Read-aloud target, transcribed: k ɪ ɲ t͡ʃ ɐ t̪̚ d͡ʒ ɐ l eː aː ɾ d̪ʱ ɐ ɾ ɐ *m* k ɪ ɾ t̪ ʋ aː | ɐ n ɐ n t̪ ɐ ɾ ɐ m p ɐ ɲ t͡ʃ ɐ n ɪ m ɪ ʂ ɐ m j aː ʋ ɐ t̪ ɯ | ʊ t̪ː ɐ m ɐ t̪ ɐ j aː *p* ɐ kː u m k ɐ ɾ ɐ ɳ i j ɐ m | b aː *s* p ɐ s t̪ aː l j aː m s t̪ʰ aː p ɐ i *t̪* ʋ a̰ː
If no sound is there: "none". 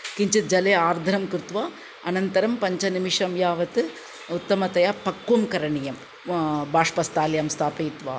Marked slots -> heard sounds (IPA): m, p, ʂ, t̪

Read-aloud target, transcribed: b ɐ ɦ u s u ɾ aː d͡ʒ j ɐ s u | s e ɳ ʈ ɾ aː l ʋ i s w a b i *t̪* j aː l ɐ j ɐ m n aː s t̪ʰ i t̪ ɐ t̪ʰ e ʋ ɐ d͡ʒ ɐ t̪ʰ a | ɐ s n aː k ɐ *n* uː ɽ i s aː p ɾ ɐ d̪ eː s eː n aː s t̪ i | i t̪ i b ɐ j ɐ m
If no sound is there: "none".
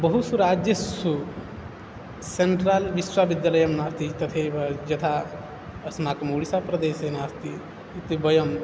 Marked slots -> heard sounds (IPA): d̪, m

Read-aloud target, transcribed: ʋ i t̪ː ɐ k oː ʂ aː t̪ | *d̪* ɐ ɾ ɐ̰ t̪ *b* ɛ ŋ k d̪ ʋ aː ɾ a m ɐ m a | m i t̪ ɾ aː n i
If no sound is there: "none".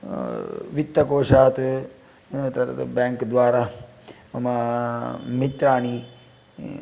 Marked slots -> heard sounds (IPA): t̪, b

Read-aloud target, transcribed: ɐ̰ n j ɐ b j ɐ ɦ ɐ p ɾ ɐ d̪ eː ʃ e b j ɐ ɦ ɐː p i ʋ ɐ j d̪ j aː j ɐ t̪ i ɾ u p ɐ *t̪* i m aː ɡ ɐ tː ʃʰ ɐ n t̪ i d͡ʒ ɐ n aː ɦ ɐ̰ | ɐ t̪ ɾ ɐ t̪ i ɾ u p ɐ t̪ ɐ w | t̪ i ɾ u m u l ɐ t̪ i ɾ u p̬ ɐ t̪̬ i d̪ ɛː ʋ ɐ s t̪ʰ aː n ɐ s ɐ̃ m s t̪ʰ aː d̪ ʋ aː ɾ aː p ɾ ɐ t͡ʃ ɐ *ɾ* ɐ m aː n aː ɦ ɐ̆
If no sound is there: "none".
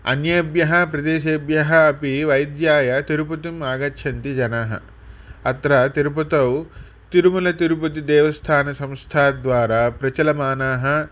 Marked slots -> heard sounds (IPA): t̪, l

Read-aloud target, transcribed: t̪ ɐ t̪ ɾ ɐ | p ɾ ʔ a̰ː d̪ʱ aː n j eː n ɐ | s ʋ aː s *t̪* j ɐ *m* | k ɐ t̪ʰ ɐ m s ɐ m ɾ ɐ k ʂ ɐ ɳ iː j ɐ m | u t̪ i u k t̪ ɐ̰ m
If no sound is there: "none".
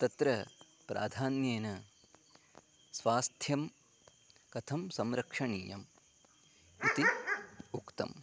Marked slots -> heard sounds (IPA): t̪ʰ, m

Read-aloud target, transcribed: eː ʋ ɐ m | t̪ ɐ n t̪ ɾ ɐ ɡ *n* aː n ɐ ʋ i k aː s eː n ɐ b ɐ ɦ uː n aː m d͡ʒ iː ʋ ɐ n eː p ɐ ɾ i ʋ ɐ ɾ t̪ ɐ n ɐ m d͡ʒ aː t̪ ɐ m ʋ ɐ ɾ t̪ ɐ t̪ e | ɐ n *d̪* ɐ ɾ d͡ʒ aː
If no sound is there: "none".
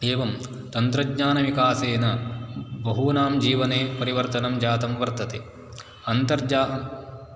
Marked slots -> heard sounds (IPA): ɲ, t̪

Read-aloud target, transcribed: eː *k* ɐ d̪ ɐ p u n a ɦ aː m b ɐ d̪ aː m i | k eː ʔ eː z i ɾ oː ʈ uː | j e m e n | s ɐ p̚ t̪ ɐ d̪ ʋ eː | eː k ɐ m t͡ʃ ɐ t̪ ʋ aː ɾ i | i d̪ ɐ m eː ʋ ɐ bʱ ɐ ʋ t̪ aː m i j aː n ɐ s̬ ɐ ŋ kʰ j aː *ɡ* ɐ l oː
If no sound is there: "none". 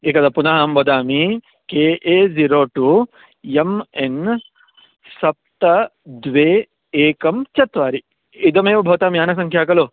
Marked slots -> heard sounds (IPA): k, k

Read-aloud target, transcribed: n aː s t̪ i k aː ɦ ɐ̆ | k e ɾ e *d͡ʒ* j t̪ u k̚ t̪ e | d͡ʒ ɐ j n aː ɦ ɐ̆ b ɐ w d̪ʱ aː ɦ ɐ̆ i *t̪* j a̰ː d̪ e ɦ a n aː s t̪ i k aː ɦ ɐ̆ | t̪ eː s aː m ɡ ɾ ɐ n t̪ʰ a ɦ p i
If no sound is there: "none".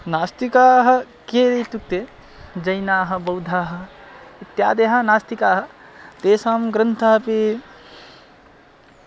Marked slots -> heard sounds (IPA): none, t̪

